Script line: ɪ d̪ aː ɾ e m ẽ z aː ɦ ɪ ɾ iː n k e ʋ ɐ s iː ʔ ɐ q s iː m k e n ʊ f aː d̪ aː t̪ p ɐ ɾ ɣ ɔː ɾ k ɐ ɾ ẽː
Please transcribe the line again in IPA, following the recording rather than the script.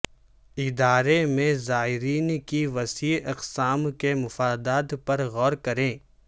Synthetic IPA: ɪ d̪ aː ɾ e m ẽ z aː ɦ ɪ ɾ iː n k i ʋ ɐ s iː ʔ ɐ q s aː m k e m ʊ f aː d̪ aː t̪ p ɐ ɾ ɣ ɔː ɾ k ɐ ɾ ẽː